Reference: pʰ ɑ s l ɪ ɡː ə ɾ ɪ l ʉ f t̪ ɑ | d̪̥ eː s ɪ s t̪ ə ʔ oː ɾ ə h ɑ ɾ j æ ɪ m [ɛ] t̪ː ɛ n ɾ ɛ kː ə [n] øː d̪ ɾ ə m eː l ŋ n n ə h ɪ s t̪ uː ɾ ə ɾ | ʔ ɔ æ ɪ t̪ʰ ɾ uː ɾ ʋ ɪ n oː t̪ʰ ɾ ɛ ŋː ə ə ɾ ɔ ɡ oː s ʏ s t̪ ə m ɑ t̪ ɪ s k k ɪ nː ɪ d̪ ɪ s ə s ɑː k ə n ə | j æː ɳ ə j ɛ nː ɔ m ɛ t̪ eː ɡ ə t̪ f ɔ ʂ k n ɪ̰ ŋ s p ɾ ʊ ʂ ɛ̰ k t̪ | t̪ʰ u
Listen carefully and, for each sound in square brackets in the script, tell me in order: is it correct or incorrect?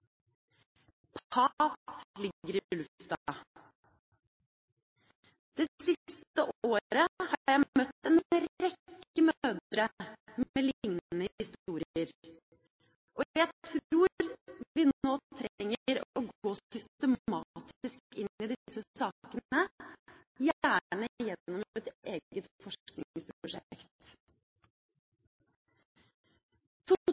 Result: incorrect, incorrect

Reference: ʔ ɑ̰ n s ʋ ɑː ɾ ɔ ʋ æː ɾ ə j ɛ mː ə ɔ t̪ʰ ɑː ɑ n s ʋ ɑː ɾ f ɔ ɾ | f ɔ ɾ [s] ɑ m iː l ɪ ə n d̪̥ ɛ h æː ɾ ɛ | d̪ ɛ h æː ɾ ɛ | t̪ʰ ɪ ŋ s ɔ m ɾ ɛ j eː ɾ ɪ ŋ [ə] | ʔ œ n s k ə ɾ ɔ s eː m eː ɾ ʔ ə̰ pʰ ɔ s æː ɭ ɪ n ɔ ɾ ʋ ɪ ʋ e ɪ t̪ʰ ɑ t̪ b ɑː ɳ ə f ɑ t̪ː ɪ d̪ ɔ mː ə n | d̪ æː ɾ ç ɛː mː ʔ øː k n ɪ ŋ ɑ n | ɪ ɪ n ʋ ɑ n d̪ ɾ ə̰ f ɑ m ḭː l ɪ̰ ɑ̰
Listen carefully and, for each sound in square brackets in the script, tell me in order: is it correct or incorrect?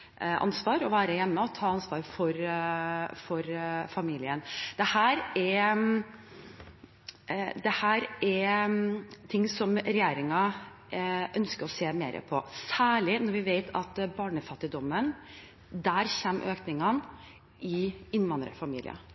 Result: incorrect, incorrect

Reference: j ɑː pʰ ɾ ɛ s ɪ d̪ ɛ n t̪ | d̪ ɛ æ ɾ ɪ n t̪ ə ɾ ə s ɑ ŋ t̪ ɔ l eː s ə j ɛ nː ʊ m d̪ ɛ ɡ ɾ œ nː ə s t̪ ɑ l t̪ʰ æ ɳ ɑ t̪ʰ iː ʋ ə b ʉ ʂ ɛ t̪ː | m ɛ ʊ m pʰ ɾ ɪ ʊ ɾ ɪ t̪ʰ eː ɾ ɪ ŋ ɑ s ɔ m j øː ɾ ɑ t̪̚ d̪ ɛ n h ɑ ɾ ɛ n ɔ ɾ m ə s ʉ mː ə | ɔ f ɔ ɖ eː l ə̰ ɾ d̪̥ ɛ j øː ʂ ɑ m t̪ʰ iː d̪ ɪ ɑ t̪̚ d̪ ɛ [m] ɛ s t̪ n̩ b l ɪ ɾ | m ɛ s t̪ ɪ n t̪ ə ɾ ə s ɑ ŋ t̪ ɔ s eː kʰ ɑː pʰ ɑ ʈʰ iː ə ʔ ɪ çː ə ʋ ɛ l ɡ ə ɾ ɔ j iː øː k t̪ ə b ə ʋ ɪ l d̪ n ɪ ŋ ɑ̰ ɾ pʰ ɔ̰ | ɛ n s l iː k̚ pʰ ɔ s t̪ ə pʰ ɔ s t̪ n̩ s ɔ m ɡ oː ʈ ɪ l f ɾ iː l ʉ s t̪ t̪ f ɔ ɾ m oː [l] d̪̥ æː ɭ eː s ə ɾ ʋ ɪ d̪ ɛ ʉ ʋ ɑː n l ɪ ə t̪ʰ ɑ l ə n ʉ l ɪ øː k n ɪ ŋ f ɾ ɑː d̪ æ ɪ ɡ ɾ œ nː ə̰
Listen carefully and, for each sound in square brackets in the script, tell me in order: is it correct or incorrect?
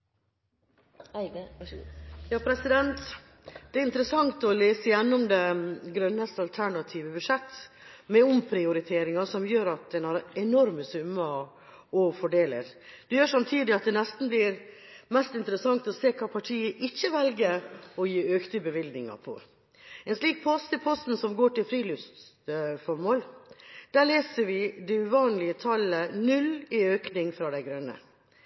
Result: incorrect, correct

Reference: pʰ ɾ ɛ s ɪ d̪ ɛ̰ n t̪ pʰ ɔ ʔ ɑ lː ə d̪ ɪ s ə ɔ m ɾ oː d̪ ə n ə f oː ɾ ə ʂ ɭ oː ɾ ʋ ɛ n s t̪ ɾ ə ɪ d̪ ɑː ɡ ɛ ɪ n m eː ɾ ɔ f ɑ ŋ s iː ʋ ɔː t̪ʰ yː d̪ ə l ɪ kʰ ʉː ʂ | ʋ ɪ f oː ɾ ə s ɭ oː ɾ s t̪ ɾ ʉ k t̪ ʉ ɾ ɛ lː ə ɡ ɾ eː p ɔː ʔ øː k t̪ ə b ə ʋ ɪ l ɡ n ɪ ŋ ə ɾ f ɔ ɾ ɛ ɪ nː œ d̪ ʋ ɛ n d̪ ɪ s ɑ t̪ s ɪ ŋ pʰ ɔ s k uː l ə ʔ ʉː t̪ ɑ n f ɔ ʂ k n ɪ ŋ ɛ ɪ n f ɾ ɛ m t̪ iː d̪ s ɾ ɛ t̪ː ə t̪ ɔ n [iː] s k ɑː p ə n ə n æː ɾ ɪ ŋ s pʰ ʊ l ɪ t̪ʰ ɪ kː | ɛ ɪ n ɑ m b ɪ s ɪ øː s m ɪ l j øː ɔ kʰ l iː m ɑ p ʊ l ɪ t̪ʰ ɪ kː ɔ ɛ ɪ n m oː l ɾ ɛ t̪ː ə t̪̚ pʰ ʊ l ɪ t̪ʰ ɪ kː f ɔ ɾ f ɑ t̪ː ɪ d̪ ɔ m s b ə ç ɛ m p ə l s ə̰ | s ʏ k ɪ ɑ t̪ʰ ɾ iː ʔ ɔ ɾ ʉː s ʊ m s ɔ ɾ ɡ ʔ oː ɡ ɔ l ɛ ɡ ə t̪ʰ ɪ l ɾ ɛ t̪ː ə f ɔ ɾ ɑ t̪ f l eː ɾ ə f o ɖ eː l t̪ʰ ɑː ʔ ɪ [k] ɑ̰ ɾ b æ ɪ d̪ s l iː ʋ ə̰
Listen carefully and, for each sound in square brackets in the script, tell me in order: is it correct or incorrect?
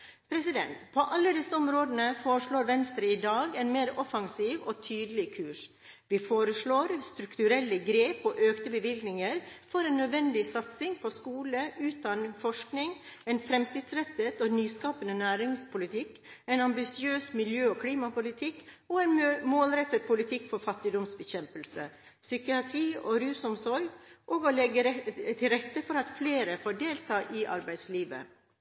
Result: incorrect, incorrect

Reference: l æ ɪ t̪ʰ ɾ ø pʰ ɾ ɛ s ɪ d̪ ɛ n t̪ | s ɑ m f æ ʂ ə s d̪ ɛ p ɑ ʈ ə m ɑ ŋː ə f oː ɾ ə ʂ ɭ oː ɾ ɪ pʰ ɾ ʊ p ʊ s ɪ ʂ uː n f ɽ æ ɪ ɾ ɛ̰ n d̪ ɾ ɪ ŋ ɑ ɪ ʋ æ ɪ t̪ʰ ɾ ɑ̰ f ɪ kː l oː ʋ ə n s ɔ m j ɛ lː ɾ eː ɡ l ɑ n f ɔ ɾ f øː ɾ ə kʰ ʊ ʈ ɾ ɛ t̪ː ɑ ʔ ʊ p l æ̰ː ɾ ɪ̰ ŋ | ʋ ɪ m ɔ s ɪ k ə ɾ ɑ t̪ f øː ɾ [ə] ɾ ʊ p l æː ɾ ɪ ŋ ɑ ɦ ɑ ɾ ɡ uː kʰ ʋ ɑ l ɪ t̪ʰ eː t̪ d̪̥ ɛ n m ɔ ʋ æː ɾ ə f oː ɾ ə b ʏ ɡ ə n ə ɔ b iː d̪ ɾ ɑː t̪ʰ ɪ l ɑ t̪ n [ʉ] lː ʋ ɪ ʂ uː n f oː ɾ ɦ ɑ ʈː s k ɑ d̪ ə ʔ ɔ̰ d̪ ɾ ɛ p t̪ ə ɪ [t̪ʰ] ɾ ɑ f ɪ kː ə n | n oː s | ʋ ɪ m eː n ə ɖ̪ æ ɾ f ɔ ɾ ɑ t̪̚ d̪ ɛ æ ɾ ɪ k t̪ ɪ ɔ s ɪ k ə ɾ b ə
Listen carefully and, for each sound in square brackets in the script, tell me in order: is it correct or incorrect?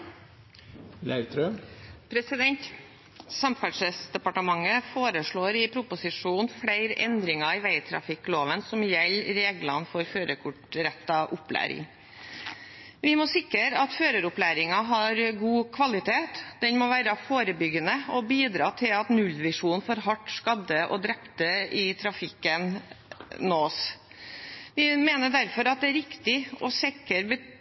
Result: correct, correct, correct

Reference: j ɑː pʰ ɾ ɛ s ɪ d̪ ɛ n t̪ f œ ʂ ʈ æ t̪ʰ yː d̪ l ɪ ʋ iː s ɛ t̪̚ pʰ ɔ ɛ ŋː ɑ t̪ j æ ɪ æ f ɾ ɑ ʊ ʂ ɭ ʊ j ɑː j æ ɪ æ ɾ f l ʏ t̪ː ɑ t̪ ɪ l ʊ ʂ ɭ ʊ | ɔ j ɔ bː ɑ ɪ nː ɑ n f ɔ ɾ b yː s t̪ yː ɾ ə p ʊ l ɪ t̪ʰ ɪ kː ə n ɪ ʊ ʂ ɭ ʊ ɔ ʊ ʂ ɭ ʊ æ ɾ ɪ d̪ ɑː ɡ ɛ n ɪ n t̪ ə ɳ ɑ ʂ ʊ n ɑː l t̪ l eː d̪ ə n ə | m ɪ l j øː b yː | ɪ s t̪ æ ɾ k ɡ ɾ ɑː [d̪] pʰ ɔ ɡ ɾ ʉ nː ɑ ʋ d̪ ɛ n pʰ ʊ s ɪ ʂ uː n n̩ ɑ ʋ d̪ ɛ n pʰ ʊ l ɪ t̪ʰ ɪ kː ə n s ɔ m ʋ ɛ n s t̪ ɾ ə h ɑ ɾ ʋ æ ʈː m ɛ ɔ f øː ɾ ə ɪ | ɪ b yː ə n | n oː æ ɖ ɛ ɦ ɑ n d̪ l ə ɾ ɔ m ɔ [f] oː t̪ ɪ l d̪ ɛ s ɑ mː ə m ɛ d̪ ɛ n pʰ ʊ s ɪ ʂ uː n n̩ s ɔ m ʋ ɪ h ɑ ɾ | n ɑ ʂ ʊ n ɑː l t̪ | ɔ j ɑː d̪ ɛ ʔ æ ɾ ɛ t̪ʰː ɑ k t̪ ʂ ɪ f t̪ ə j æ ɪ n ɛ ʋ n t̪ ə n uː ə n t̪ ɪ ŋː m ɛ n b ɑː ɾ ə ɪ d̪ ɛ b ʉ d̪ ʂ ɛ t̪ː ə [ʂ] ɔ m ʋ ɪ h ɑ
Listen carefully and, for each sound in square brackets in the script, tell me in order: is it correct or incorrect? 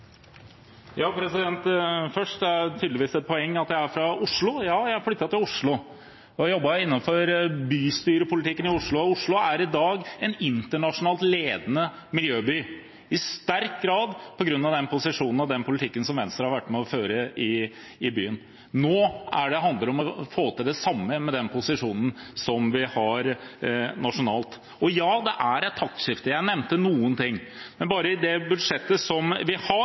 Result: correct, correct, incorrect

